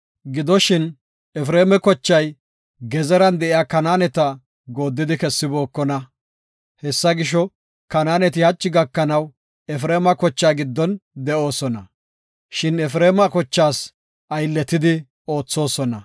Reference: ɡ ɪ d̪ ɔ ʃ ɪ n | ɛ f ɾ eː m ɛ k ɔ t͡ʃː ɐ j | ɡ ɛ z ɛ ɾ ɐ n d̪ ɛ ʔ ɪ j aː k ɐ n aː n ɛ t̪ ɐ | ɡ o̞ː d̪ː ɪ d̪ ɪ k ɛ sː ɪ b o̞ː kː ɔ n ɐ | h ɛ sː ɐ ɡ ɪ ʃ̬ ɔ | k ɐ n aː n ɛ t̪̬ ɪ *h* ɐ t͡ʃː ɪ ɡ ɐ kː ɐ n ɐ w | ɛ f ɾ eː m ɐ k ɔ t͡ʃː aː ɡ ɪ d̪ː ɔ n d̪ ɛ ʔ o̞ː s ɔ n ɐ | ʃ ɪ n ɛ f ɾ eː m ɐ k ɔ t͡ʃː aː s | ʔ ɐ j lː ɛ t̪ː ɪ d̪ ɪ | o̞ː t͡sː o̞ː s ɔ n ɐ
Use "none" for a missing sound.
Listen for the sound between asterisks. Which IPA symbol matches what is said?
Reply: h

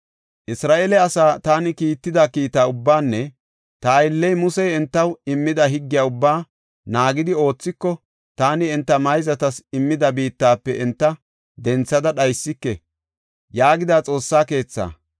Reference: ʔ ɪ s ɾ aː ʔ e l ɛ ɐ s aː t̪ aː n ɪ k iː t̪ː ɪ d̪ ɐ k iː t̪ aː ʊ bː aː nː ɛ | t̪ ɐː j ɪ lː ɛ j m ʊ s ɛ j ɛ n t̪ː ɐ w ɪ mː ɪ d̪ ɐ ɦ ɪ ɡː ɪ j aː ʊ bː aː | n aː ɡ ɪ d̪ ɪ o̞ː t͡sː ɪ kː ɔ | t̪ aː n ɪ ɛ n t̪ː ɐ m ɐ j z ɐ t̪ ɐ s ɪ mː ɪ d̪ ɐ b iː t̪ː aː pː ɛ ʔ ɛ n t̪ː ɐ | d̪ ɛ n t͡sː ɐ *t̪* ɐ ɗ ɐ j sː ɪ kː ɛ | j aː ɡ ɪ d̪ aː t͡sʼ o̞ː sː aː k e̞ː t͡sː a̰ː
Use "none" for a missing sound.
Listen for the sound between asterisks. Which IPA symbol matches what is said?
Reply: d̪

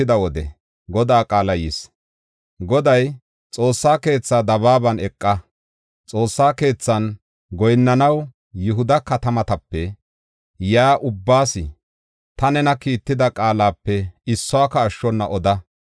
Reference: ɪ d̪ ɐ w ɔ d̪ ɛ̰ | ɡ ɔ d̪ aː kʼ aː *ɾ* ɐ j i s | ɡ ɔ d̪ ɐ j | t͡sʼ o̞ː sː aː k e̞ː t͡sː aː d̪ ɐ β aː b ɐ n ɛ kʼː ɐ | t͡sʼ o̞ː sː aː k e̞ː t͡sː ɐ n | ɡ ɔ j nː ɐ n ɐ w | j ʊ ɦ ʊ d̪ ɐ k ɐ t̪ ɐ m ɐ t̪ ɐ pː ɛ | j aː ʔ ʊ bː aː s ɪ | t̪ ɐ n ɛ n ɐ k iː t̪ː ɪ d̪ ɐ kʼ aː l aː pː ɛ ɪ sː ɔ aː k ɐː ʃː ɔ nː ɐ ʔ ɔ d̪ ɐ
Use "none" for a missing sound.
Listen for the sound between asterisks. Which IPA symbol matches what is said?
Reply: l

